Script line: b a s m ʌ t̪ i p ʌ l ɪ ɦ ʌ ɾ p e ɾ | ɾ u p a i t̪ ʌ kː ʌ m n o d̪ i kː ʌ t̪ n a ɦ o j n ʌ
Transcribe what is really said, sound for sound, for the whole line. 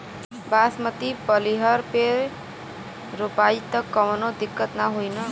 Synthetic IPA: b a s m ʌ t̪ i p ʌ l i ɦ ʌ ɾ p e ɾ | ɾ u p a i t̪ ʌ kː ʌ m n o d̪ i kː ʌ t̪ n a ɦ o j n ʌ